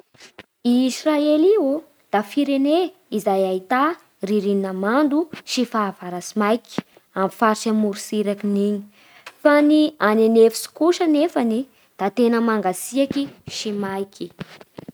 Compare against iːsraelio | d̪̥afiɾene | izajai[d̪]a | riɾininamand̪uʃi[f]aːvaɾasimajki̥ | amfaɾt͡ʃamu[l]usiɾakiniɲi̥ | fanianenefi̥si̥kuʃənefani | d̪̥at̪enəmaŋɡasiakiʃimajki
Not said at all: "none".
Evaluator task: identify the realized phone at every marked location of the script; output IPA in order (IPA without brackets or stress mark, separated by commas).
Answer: t̪, f, ɾ